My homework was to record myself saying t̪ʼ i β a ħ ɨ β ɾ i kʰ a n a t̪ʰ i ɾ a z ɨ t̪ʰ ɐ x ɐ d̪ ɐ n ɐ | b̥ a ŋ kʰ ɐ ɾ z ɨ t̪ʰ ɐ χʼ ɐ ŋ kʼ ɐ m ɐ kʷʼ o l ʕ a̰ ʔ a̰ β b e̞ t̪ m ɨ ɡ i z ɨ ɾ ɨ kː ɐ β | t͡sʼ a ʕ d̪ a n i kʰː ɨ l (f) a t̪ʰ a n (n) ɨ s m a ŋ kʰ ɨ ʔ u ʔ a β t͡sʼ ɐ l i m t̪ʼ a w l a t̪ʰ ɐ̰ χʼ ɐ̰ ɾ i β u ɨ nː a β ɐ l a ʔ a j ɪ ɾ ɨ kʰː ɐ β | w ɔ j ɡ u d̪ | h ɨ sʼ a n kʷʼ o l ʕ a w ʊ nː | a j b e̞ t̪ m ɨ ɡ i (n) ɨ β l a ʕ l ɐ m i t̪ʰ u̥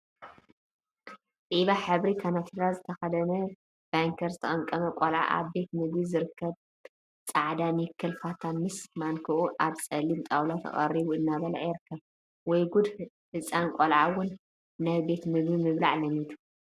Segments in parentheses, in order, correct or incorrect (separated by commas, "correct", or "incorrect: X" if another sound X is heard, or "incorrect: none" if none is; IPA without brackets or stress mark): correct, incorrect: m, incorrect: m